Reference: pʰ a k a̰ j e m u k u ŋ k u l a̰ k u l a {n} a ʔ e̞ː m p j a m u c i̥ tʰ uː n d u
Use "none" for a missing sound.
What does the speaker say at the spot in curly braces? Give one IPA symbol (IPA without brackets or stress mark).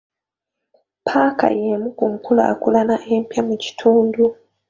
n